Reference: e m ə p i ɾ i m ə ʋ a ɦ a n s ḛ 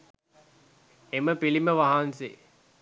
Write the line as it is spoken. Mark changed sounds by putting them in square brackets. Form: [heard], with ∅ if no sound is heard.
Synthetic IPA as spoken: e m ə p i [l] i m ə ʋ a ɦ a n s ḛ

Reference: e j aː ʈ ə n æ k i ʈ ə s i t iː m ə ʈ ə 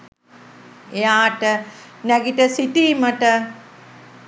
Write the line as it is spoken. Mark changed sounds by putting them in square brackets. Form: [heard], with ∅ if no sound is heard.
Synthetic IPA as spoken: e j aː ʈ ə n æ [ɡ] i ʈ ə s i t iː m ə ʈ ə

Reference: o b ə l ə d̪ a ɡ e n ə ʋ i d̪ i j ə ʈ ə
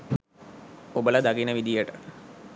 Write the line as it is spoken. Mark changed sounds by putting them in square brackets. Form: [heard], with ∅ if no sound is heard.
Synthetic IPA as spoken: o b ə l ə d̪ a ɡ [i] n ə ʋ i d̪ i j ə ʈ ə

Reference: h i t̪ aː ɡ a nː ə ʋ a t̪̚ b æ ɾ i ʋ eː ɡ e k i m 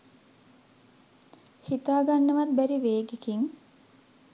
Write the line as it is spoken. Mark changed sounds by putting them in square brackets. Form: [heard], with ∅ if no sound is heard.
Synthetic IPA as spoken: h i t̪ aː ɡ a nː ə ʋ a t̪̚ b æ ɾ i ʋ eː ɡ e k i [ŋ]

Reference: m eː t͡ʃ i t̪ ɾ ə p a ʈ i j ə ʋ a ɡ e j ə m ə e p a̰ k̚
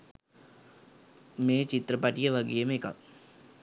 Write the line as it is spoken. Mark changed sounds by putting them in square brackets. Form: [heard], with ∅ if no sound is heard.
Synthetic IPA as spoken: m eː t͡ʃ i t̪ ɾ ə p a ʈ i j ə ʋ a ɡ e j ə m ə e [k] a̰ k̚

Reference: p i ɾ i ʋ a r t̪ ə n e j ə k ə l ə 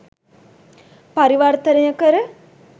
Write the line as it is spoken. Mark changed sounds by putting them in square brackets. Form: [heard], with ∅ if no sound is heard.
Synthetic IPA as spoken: p [a] ɾ i ʋ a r t̪ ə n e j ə k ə [ɾ] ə

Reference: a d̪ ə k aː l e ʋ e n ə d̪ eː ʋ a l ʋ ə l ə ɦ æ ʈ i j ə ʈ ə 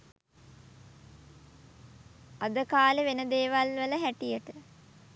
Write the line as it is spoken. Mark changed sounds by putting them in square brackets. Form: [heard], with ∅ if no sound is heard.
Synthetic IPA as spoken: a d̪ ə k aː l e ʋ e n ə d̪ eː ʋ a l ʋ ə l ə ɦ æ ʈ i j ə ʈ ə

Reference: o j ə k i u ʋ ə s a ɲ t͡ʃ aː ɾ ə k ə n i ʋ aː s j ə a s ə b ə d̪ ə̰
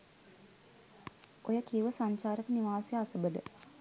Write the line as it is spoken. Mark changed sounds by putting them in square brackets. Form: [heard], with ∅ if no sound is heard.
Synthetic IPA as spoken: o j ə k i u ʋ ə s a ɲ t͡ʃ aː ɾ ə k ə n i ʋ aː s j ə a s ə b ə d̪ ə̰

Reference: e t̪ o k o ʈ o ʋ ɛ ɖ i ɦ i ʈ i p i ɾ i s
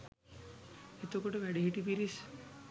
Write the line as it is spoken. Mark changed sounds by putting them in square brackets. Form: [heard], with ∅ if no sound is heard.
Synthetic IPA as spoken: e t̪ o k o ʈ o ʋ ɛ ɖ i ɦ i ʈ i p i ɾ i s

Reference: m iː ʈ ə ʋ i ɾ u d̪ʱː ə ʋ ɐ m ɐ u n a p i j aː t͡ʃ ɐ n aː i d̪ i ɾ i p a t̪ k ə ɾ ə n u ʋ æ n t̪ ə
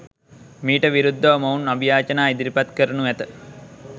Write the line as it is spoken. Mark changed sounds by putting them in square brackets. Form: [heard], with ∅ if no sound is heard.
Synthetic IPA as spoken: m iː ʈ ə ʋ i ɾ u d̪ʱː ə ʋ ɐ m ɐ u n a [b] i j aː t͡ʃ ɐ n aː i d̪ i ɾ i p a t̪ k ə ɾ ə n u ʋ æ [∅] t̪ ə

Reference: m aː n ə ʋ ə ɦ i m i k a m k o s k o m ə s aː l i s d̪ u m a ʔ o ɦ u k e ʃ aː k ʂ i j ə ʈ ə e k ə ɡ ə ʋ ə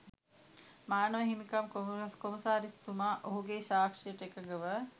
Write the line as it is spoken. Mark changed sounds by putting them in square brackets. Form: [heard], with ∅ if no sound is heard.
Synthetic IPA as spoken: m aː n ə ʋ ə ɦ i m i k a m k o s k o m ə s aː [ɾ] i s [t̪] u m a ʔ o ɦ u [ɡ] e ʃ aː k ʂ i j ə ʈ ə e k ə ɡ ə ʋ ə

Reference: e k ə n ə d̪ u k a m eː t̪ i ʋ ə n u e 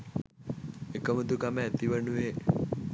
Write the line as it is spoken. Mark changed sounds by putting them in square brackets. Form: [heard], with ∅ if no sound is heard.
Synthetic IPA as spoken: e k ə [m] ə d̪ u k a m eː t̪ i ʋ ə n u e

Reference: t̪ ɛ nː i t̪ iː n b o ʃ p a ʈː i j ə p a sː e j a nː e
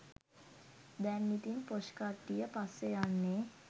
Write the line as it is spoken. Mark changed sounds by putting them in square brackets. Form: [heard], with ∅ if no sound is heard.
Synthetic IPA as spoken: [d̪] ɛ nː i t̪ [i] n [p] o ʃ [k] a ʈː i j ə p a sː e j a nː e

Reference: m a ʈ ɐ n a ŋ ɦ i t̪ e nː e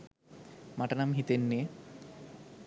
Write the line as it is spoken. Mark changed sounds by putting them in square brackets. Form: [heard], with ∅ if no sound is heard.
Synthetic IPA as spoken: m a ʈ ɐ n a [m] ɦ i t̪ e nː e

